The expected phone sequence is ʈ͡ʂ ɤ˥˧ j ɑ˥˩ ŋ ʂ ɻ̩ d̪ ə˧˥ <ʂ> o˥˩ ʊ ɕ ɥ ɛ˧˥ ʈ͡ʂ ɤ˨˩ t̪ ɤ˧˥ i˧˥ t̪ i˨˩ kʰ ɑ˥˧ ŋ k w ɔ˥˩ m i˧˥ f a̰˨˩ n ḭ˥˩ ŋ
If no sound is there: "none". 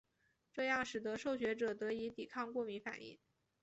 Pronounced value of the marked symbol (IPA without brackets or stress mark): ʂ